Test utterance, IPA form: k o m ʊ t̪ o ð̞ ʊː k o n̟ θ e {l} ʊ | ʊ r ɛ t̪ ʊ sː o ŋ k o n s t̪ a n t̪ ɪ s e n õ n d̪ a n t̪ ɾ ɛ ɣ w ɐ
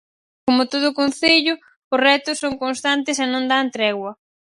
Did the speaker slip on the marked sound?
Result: yes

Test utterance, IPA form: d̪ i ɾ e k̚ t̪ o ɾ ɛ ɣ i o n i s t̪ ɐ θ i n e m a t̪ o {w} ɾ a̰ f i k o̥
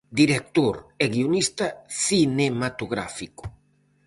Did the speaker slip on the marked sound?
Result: yes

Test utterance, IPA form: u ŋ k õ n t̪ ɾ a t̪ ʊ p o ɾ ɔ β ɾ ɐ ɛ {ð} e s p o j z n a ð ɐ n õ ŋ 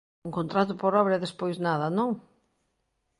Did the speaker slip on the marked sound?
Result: no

